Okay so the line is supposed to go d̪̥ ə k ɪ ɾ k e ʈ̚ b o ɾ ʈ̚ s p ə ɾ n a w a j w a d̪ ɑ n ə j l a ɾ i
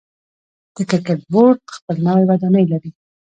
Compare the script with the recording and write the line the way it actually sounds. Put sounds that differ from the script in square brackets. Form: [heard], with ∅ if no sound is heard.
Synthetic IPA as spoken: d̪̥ ə k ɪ ɾ k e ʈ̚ b o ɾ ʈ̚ [x] p ə [l] n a w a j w a d̪ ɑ n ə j l a ɾ i

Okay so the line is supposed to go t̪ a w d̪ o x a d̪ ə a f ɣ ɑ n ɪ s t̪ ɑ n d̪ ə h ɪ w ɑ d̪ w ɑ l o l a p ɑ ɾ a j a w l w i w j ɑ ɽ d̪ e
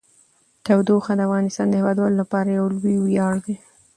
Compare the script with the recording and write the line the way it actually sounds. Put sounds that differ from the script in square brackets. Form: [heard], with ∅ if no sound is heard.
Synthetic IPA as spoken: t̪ a w d̪ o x a d̪ ə a f ɣ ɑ n ɪ s t̪ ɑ n d̪ ə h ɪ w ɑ d̪ w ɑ l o l a p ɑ ɾ a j a w l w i w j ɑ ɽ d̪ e

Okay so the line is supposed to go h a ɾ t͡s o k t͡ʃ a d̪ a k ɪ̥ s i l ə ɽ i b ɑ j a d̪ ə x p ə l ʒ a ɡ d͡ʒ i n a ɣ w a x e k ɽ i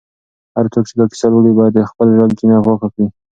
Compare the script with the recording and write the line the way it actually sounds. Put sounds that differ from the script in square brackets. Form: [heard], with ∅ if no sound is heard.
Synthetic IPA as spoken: h a ɾ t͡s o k t͡ʃ [e] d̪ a k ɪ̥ s [a] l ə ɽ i b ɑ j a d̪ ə x p ə l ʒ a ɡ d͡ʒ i n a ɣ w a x [a] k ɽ i

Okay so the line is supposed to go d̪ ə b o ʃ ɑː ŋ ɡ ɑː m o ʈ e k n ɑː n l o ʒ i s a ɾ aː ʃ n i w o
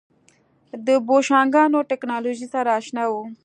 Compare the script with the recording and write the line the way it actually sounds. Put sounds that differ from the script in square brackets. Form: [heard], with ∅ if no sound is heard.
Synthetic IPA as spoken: d̪ ə b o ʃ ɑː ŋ ɡ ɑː [n] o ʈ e k n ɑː [∅] l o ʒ i s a ɾ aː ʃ n [a] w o

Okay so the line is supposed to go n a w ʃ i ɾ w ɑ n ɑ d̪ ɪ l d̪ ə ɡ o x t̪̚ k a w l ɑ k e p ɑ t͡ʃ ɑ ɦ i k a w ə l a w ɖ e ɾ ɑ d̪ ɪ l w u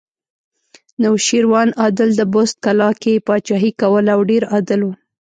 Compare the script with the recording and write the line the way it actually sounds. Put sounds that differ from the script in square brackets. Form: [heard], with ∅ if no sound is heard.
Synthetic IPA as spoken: n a w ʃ i ɾ w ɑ n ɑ d̪ ɪ l d̪ ə [b] o [s] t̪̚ k a [∅] l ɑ k e p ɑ t͡ʃ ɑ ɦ i k a w ə l a w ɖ e ɾ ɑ d̪ ɪ l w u

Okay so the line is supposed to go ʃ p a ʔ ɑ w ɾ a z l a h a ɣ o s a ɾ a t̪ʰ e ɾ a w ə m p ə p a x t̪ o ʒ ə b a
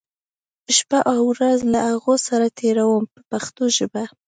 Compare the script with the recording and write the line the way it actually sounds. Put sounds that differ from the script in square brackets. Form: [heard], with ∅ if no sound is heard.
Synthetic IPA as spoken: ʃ p a ʔ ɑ w ɾ a z l a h a ɣ o s a ɾ a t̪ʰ e ɾ a w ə m p ə p a x t̪ o ʒ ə b a

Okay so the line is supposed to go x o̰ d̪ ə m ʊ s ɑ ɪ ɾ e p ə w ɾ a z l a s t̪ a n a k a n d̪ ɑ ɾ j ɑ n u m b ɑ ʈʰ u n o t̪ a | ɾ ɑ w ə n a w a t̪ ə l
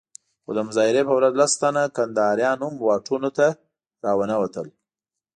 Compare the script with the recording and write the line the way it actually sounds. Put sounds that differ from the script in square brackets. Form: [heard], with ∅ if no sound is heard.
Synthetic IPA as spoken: x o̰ d̪ ə m ʊ [z] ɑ ɪ ɾ e p ə w ɾ a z l a s t̪ a n a k a n d̪ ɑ ɾ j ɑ n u m [w] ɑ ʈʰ u n o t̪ a | ɾ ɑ w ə n a w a t̪ ə l

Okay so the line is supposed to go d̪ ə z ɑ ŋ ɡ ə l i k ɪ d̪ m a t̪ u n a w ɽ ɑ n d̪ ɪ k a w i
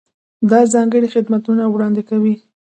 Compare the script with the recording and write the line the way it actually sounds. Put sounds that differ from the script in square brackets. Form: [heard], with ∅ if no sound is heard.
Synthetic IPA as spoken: d̪ [ɑ] z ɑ ŋ ɡ ə [ɽ] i [x] ɪ d̪ m a t̪ u n a w ɽ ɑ n d̪ ɪ k a w i

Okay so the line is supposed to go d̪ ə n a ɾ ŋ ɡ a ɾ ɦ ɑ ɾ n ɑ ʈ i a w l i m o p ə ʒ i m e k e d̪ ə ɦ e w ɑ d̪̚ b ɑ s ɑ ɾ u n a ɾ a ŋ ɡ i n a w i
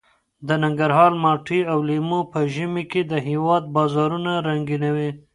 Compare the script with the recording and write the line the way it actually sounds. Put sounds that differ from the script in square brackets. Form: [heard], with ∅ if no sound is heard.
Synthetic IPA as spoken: d̪ ə n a [∅] ŋ ɡ a ɾ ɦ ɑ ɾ [m] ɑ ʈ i a w l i m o p ə ʒ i m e k e d̪ ə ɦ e w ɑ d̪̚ b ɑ [z] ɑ ɾ u n a ɾ a ŋ ɡ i n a w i

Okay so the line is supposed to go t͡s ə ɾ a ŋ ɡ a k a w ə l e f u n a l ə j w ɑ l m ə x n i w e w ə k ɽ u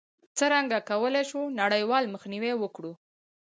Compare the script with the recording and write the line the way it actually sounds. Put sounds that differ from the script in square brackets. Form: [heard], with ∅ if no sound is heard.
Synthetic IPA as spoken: t͡s ə ɾ a ŋ ɡ a k a w ə l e [ʃ] u n a [ɽ] ə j w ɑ l m ə x n i w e w ə k ɽ u

